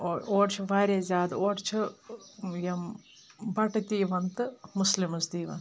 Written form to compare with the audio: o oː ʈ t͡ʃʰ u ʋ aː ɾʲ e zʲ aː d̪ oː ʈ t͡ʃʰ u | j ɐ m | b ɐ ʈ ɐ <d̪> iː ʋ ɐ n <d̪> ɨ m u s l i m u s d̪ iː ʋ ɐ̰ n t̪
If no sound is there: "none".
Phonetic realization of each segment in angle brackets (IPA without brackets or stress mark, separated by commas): t̪, t̪